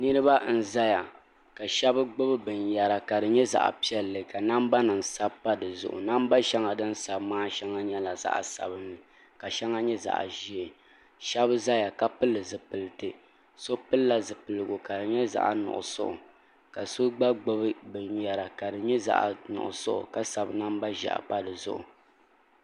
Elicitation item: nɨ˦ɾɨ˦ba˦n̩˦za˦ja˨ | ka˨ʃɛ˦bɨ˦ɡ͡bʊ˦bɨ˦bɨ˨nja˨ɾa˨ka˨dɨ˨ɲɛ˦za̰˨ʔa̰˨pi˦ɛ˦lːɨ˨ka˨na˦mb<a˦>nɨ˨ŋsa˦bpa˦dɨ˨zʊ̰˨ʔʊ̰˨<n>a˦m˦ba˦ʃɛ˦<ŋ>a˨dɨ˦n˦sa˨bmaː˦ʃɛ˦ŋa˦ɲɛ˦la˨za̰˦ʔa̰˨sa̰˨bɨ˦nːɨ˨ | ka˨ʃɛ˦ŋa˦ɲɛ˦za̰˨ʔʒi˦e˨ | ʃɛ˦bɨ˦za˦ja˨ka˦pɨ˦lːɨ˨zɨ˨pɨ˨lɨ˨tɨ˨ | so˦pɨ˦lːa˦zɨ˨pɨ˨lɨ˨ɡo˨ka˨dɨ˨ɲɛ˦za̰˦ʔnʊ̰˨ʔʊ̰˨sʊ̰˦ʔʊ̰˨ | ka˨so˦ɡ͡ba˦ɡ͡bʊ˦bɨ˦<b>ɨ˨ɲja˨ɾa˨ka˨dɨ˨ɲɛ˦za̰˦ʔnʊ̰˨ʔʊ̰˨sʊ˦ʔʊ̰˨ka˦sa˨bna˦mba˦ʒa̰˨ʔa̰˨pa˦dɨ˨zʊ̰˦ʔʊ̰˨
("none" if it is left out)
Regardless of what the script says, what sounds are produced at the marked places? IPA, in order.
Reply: a˦, n, ŋ, b

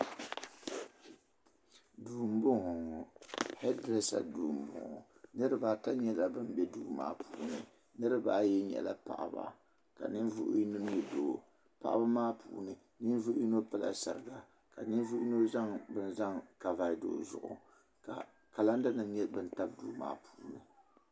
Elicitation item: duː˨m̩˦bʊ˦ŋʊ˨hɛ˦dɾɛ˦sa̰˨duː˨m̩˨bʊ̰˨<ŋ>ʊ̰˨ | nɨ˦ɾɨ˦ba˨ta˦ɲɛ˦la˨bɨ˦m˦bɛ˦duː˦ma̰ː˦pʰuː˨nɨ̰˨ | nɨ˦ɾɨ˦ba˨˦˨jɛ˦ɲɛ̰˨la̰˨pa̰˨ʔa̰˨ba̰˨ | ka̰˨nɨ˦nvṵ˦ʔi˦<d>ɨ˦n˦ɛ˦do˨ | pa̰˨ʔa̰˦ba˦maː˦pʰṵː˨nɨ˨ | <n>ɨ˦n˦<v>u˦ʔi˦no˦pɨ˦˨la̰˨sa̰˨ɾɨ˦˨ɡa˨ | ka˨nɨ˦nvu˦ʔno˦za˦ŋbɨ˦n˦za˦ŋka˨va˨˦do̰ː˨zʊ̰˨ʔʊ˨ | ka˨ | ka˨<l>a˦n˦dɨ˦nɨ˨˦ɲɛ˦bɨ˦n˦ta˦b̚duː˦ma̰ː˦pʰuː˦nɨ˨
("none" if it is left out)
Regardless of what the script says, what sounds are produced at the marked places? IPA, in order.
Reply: ŋ, n, n, v, l

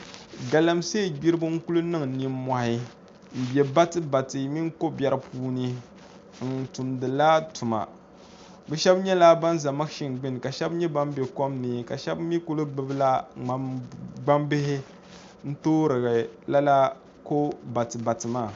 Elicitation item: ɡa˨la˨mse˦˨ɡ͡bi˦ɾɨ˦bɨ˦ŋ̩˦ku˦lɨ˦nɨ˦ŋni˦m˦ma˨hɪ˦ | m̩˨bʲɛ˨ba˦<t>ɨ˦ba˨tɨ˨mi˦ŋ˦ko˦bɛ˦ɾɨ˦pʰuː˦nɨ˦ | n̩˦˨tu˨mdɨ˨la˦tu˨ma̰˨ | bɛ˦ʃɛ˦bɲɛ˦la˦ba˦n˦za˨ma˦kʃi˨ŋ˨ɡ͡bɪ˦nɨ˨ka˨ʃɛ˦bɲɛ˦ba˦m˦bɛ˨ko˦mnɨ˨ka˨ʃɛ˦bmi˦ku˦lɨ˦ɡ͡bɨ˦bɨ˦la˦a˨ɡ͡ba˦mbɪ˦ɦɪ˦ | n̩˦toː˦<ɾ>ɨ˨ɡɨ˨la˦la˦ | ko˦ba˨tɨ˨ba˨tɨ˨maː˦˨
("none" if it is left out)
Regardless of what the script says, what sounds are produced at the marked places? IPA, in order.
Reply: t, ɾ

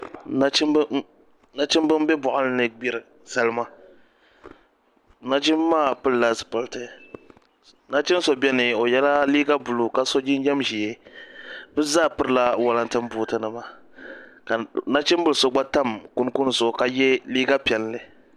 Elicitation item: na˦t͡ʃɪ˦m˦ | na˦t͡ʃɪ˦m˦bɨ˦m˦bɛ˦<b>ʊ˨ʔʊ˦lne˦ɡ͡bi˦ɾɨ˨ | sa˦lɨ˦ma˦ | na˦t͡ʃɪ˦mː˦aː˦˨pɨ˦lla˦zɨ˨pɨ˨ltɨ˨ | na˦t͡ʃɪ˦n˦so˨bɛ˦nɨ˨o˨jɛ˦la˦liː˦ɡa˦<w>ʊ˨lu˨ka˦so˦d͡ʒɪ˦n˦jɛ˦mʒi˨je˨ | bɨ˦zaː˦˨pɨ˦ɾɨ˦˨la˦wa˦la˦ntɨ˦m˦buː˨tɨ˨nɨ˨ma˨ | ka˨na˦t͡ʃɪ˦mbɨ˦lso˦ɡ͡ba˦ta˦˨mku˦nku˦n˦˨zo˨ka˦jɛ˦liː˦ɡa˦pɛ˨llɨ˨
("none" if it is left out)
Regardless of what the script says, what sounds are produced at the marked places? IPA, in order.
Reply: b, b

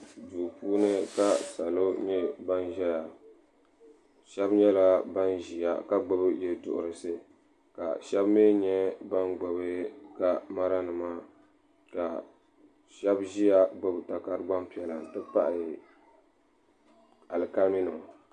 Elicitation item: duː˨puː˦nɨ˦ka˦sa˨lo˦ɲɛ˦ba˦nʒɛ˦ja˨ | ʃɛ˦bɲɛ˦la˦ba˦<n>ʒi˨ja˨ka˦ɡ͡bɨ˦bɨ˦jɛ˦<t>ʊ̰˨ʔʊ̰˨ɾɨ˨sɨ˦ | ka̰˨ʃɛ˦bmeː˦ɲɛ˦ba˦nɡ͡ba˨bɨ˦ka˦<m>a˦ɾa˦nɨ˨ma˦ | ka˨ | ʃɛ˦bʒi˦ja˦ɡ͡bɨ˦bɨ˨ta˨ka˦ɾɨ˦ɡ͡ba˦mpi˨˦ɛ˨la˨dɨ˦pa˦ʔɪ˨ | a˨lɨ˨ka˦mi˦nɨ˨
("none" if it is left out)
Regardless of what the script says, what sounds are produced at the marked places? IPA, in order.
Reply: n, d, m

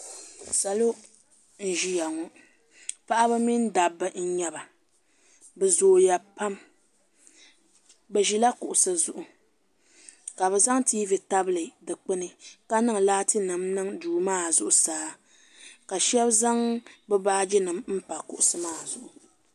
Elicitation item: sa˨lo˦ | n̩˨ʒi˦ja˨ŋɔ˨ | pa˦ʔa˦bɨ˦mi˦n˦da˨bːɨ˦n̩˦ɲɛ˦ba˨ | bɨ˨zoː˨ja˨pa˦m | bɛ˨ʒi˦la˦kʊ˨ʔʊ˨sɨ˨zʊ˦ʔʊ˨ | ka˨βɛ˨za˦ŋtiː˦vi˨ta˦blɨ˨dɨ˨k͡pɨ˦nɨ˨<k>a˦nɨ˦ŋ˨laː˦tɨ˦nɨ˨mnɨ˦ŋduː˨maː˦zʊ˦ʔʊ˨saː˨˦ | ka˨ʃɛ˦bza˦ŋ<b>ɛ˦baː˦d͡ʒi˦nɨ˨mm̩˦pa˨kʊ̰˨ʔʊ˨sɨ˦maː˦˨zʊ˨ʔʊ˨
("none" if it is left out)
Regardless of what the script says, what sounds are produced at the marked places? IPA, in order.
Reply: k, b

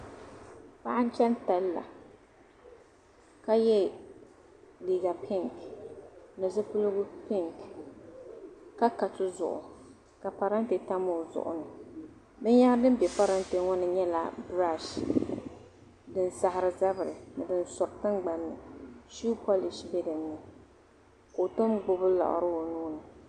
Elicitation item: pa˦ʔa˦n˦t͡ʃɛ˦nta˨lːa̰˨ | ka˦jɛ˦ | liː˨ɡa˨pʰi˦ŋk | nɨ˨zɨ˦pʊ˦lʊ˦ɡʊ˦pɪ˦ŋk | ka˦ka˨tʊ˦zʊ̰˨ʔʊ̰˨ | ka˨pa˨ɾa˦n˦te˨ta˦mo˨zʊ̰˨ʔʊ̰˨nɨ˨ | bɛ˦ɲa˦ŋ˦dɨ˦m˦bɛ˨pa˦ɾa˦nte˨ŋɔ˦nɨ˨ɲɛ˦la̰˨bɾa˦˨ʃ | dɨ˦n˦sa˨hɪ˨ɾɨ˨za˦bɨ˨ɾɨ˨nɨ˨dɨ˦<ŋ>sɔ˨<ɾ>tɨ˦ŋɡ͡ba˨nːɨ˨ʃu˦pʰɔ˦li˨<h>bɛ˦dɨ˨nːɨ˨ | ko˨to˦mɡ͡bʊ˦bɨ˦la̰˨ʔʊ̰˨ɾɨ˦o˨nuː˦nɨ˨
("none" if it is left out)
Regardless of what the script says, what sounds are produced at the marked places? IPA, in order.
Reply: n, ɾ, ʃ

